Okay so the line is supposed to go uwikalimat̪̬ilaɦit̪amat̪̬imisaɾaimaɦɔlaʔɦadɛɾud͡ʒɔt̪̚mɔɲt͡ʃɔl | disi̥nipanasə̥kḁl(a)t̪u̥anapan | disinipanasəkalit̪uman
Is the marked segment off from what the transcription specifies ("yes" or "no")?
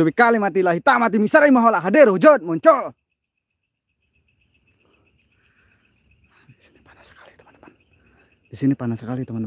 yes